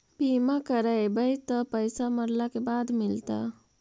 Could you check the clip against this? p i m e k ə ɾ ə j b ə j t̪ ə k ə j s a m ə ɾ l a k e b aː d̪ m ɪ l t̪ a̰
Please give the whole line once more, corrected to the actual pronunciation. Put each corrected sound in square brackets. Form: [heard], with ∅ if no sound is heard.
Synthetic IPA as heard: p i m [a] k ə ɾ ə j b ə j t̪ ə [p] ə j s a m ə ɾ l a k e b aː d̪ m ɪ l t̪ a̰